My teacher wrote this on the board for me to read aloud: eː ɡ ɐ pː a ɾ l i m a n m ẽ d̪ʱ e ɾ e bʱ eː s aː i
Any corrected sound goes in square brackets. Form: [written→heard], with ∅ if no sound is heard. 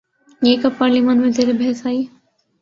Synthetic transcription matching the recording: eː [ɡ→k] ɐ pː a ɾ l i m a n m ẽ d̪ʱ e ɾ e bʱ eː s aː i